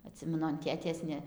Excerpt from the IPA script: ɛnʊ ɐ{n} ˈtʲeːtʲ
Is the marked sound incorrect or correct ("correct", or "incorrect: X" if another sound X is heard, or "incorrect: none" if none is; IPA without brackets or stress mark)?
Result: correct